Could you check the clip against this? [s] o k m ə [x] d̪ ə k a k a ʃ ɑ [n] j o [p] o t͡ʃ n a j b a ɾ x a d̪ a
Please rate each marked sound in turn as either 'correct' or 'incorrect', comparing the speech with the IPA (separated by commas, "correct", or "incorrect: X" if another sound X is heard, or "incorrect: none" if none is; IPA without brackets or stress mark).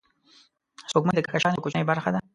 correct, incorrect: none, correct, incorrect: k